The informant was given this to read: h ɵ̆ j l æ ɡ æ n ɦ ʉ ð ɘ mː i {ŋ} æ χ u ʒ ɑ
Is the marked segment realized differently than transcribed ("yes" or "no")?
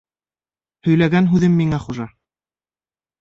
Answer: no